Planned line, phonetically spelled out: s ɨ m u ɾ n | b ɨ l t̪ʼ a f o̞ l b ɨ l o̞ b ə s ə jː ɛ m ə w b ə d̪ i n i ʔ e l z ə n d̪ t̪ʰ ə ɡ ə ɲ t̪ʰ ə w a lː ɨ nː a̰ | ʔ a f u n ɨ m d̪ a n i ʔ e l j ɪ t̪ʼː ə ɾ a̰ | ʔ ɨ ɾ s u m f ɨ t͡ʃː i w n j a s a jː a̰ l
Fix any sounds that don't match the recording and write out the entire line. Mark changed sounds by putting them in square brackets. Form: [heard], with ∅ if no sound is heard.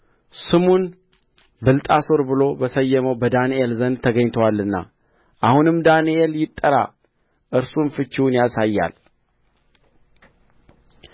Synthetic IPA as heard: s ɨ m u [∅] n | b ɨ l t̪ʼ a [s] o̞ [ɾ] b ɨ l o̞ b ə s ə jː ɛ m ə w b ə d̪ [a] n i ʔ e l z ə n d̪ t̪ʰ ə ɡ ə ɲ t̪ʰ ə w a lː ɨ nː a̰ | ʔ a [h] u n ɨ m d̪ a n i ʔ e l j ɪ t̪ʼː ə ɾ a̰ | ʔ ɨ ɾ s u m f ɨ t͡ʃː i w n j a s a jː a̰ l